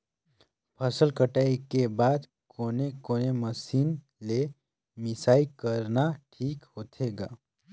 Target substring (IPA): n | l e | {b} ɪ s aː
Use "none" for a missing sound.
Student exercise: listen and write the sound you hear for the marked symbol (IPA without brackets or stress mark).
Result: m